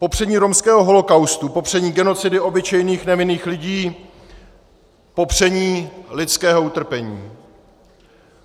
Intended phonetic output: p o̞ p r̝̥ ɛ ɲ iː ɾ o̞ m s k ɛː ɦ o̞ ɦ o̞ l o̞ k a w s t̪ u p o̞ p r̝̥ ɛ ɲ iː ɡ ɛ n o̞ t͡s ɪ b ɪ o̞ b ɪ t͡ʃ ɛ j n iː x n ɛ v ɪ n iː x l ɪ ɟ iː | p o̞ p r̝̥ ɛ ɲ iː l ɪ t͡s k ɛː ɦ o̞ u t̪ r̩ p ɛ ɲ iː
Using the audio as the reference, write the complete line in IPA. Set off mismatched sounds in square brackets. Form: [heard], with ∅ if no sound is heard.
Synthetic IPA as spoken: p o̞ p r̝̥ ɛ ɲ iː ɾ o̞ m s k ɛː ɦ o̞ ɦ o̞ l o̞ k a w s t̪ u p o̞ p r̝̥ ɛ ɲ iː ɡ ɛ n o̞ t͡s ɪ [d] ɪ o̞ b ɪ t͡ʃ ɛ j n iː x n ɛ v ɪ n iː x l ɪ ɟ iː | p o̞ p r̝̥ ɛ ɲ iː l ɪ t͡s k ɛː ɦ o̞ u t̪ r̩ p ɛ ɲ iː